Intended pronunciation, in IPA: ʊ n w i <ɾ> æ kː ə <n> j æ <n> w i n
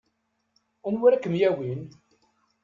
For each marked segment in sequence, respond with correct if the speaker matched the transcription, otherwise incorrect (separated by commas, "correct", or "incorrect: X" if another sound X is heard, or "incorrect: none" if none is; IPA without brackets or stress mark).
correct, incorrect: m, incorrect: none